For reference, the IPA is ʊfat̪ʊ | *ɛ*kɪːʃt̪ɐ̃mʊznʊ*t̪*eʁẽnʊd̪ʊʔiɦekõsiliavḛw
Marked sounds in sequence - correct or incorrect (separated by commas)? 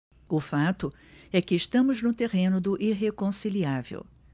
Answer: correct, correct